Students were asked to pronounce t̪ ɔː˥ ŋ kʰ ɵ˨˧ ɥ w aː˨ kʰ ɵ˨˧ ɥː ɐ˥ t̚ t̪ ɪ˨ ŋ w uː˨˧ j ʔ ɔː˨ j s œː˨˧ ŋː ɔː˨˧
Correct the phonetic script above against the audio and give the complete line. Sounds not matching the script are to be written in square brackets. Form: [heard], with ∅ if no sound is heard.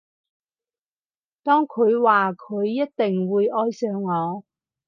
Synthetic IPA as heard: t̪ ɔː˥ ŋ kʰ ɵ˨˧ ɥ w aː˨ kʰ ɵ˨˧ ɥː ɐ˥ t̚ t̪ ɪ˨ ŋ w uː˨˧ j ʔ [ɔː˥] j s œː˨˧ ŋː ɔː˨˧